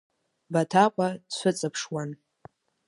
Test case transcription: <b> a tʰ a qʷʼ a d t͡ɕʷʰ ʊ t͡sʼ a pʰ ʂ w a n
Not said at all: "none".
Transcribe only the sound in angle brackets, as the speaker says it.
b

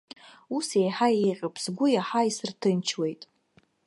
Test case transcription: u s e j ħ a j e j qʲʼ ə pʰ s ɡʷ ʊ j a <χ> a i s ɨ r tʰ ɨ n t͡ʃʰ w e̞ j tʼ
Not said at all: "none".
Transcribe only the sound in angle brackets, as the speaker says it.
ħ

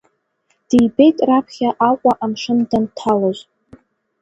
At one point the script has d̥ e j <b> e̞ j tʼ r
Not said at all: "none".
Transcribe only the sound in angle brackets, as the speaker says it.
b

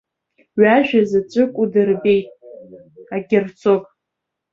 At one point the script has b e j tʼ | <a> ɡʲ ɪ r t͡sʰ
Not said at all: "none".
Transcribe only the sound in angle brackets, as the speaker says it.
a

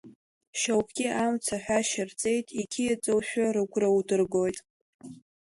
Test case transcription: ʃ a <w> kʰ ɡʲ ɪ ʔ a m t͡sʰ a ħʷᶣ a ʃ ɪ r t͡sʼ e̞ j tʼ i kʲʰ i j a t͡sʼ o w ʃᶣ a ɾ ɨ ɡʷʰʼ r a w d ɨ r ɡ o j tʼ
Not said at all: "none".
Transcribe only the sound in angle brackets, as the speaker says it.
w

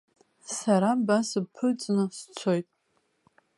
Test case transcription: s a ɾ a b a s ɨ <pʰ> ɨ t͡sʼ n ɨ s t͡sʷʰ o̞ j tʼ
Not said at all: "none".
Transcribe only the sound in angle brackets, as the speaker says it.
pʰ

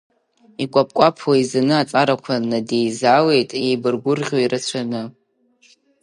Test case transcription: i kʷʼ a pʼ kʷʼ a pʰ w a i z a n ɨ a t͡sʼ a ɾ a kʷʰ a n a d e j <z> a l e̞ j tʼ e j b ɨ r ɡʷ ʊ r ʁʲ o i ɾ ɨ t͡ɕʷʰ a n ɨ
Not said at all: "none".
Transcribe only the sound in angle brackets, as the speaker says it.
z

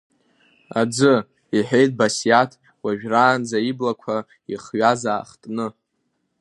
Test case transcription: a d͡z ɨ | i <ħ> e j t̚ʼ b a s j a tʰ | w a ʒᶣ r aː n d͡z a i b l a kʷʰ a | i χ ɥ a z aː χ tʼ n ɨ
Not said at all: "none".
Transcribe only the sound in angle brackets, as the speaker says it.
ħ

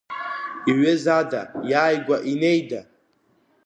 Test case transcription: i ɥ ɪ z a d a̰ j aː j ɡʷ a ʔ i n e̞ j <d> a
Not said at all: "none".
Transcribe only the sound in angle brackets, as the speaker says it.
d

